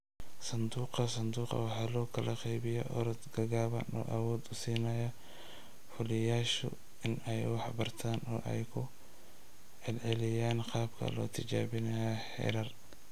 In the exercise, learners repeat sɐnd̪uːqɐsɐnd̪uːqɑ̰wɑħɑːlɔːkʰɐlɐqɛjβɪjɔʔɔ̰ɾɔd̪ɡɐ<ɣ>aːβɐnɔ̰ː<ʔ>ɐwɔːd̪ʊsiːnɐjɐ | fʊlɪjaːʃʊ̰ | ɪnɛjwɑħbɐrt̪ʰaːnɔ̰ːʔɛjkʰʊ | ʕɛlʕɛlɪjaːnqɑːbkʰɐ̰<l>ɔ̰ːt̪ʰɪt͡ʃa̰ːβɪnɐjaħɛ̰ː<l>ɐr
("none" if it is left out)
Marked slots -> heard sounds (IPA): ɣ, ʔ, l, ɾ

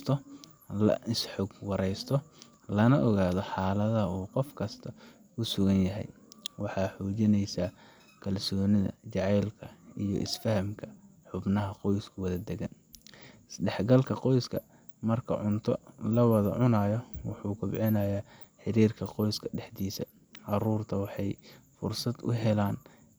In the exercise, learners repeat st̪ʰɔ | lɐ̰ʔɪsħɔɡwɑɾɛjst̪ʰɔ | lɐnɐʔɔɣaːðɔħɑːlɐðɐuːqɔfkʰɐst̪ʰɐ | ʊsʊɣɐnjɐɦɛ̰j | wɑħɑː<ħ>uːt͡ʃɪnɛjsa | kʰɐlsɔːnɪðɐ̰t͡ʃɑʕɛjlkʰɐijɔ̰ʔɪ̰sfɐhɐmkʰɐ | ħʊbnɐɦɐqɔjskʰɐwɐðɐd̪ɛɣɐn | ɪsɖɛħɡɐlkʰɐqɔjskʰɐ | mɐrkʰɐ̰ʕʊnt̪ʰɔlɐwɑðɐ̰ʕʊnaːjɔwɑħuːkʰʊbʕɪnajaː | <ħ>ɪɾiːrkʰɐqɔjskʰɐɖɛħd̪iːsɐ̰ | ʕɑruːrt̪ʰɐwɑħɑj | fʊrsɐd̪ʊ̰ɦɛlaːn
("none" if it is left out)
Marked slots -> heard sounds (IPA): ħ, ħ

